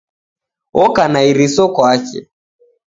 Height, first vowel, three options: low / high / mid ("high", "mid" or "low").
mid